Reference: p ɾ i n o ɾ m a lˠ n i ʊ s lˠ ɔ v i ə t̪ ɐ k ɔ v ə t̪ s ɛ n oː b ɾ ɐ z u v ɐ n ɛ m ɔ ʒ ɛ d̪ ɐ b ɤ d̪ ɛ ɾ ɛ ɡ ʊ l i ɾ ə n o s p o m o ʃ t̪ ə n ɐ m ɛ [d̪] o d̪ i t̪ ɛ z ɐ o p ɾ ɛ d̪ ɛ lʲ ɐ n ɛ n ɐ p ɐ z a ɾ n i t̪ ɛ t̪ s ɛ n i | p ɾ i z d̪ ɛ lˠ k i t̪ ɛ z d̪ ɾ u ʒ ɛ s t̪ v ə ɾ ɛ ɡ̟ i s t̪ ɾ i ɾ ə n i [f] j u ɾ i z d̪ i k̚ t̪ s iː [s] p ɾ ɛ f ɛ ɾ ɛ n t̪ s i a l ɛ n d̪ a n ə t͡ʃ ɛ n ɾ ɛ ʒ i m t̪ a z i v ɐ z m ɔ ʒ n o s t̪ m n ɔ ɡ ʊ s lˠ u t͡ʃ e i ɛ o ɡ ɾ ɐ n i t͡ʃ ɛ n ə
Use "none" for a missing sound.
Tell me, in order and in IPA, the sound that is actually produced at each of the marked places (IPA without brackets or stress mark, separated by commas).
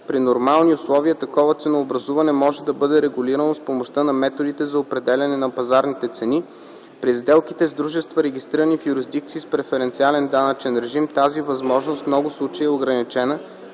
t̪, f, s